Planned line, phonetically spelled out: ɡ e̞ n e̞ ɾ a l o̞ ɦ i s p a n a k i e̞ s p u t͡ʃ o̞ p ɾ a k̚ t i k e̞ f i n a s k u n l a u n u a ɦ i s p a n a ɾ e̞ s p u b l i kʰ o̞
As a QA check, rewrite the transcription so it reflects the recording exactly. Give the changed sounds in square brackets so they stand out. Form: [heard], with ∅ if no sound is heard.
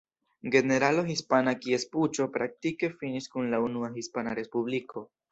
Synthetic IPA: ɡ e̞ n e̞ ɾ a l o̞ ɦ i s p a n a k i e̞ s p u t͡ʃ o̞ p ɾ a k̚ t i k e̞ f i n [i] s k u n l a u n u a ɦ i s p a n a ɾ e̞ s p u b l i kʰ o̞